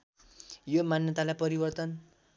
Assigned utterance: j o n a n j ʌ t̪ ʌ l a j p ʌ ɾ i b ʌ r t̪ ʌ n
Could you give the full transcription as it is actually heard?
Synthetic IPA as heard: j o m a n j ʌ t̪ a l a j p ʌ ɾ i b ʌ r t̪ ʌ n